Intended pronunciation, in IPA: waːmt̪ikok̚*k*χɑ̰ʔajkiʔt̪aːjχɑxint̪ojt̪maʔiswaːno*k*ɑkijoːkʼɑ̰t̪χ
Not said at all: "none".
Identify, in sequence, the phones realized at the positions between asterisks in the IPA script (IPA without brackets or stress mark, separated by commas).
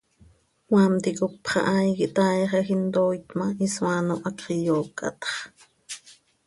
p, ʔ